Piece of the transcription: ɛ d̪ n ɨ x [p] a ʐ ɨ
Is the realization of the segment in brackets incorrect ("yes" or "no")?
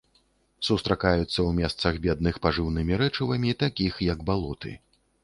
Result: no